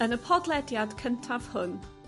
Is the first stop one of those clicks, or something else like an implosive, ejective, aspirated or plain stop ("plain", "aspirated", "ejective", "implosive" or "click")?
aspirated